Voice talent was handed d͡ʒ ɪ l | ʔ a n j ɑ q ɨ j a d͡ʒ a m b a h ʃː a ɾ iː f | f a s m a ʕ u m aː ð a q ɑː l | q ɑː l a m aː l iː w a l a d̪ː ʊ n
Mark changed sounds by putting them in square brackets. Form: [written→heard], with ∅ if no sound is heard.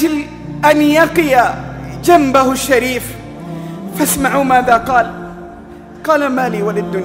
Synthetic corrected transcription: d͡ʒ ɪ l | ʔ a n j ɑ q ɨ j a d͡ʒ a m b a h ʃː a ɾ iː f | f a s m a ʕ u m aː ð a q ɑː l | q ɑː l a m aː l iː w a l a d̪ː ʊ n